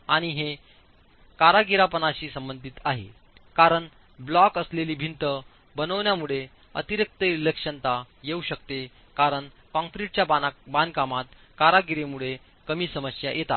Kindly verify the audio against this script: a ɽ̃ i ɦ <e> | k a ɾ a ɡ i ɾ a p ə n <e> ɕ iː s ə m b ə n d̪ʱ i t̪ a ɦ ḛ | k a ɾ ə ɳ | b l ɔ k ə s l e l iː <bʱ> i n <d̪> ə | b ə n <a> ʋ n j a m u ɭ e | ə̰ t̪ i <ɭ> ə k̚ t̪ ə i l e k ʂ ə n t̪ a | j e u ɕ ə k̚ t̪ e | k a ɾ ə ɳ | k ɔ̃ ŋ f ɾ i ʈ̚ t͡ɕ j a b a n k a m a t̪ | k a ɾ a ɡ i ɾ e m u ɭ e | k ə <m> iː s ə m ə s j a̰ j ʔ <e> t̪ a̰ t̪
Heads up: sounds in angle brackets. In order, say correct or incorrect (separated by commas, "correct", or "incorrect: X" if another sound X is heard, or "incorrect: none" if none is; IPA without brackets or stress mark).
correct, incorrect: a, correct, incorrect: t̪, incorrect: ə, incorrect: ɾ, correct, correct